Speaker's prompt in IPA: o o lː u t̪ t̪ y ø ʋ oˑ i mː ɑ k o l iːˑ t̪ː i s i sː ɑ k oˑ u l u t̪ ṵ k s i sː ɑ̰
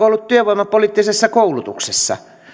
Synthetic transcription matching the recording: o o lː u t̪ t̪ y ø ʋ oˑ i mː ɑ p o l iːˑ t̪ː i s e sː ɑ k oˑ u l u t̪ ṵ k s e sː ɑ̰